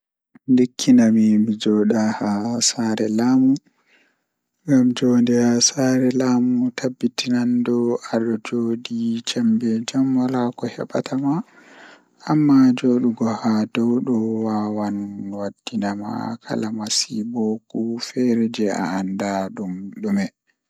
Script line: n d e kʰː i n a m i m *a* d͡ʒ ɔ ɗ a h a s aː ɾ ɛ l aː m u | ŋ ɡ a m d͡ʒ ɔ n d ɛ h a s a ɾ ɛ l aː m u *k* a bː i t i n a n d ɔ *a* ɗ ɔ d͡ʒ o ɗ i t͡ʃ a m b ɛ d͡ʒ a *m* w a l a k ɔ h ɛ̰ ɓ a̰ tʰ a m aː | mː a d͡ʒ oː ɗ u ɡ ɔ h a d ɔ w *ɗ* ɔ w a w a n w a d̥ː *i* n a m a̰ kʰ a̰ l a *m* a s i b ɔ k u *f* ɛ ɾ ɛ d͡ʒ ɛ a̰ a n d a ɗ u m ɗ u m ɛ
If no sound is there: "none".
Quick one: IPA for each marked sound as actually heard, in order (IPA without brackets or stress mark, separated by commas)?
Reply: i, t, a, m, ɗ, i, m, f